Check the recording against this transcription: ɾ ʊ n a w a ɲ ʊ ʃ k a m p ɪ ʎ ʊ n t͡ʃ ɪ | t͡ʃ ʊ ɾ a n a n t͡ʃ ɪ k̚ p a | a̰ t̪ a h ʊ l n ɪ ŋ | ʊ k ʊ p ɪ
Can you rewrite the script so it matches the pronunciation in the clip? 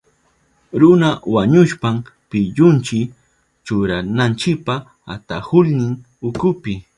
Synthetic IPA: ɾ ʊ n a w a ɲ ʊ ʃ p a m p ɪ ʎ ʊ n t͡ʃ ɪ | t͡ʃ ʊ ɾ a n a n t͡ʃ ɪ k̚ p a | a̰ t̪ a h ʊ l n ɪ ŋ | ʊ k ʊ p ɪ